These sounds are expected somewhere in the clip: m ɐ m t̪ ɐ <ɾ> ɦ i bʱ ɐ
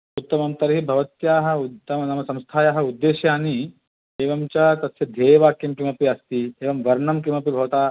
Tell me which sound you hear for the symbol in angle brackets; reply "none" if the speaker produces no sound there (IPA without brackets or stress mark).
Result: ɾ